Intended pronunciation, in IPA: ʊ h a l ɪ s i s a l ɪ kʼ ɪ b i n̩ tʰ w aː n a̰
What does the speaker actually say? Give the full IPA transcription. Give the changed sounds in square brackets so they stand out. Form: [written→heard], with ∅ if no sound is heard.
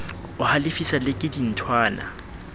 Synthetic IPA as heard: ʊ h a l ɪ [s→f] i s a l ɪ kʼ ɪ [b→d] i n̩ tʰ w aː n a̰